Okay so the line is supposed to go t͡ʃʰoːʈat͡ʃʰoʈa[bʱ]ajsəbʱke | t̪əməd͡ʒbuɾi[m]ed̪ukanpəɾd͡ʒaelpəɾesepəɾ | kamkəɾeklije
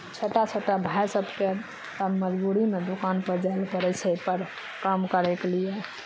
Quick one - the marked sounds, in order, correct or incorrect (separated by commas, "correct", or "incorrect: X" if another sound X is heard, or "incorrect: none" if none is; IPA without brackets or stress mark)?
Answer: correct, correct